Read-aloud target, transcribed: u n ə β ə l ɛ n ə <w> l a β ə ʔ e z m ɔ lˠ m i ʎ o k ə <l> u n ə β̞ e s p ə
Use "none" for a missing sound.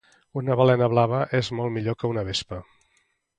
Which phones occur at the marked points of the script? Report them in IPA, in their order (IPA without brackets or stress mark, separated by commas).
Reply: β, none